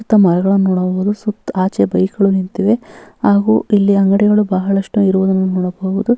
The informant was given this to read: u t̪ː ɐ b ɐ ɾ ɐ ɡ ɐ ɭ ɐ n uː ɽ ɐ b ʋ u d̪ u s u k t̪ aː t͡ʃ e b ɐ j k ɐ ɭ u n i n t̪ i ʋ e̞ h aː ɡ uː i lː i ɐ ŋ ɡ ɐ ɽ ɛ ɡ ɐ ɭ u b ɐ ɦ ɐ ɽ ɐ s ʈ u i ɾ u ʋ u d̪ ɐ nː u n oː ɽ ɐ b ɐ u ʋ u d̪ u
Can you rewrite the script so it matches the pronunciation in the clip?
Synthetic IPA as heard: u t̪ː ɐ m ɐ ɾ ɐ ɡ ɐ ɭ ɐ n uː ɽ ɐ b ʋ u d̪ u s u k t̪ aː t͡ʃ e b ɐ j k ɐ ɭ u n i n t̪ i ʋ e̞ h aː ɡ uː i lː i ɐ ŋ ɡ ɐ ɽ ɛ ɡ ɐ ɭ u b ɐ ɦ ɐ ɭ ɐ ʂ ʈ u i ɾ u ʋ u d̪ ɐ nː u n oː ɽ ɐ b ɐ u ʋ u d̪ u